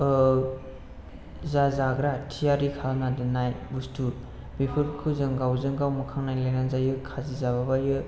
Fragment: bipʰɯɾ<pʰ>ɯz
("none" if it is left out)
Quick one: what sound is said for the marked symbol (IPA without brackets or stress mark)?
kʰ